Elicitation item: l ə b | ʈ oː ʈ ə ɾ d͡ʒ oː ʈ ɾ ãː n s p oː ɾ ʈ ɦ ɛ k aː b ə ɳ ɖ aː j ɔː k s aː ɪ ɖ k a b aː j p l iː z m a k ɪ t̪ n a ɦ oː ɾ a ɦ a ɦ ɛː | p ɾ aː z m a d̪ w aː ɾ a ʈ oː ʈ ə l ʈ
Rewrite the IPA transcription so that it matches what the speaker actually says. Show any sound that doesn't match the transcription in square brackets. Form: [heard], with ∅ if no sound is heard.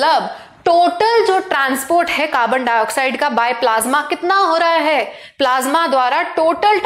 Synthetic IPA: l ə b | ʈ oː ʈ ə [l] d͡ʒ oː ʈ ɾ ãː n s p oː ɾ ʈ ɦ ɛ k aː b ə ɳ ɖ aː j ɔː k s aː ɪ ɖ k a b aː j p l [aː] z m a k ɪ t̪ n a ɦ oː ɾ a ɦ a ɦ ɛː | p [l] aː z m a d̪ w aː ɾ a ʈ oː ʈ ə l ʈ